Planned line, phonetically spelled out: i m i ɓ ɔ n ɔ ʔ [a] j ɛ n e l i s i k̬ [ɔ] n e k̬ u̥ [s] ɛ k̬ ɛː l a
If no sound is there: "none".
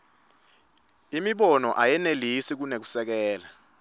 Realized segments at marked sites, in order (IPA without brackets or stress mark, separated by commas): a, u, s